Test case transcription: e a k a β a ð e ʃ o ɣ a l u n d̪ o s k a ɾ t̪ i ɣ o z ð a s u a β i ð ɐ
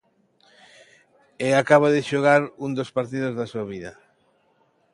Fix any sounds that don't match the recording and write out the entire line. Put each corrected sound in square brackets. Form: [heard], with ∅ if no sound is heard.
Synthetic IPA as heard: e a k a β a ð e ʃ o ɣ a [ɾ] u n d̪ o s [p] a ɾ t̪ i [ð] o z ð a s u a β i ð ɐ